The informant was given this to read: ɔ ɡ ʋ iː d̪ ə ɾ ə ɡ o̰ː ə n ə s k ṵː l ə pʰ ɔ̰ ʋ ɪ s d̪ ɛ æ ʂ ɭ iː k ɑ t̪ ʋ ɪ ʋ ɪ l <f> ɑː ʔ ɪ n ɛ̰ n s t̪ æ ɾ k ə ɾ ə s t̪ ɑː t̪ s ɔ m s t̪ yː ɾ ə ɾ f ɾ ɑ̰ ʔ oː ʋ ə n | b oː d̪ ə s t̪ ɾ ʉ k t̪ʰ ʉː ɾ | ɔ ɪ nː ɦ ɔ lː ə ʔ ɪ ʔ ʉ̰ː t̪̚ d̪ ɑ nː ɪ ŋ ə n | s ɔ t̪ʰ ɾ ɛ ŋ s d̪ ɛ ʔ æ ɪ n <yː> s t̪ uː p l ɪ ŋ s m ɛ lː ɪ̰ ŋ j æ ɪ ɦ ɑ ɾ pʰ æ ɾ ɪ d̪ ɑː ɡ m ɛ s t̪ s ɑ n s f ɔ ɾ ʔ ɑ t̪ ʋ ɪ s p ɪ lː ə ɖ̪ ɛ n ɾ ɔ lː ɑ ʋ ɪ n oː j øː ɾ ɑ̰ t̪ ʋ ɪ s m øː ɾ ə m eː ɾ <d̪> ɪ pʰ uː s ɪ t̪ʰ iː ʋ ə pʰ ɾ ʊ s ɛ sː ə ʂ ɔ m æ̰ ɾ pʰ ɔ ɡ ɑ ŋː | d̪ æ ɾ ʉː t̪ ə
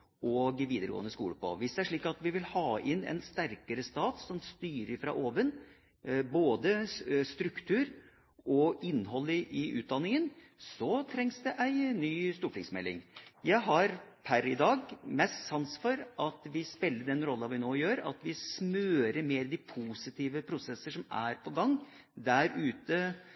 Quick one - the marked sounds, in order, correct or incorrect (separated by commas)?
incorrect, correct, correct